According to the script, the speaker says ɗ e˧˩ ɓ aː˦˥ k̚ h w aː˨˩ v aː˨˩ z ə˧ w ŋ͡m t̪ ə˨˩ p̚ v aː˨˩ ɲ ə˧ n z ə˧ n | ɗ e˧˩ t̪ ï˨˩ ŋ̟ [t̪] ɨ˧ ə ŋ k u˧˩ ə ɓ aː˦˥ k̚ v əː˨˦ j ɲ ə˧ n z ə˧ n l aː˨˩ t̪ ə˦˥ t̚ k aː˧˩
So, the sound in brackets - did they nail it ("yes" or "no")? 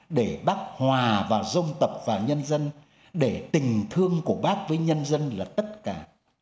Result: no